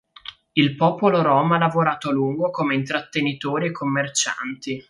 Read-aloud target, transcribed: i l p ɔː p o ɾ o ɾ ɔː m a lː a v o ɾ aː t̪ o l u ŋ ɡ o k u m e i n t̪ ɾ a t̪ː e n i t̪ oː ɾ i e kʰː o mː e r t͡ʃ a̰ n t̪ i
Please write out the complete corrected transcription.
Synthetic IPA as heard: i l p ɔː p o l o ɾ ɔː m a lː a v o ɾ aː t̪ o l u ŋ ɡ o k o m e i n t̪ ɾ a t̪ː e n i t̪ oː ɾ i e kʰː o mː e r t͡ʃ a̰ n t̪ i